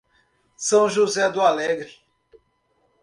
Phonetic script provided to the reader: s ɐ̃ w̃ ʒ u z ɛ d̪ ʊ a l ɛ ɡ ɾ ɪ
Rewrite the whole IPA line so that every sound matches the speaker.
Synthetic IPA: s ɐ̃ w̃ ʒ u z ɛ d̪ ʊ a l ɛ ɡ ɾ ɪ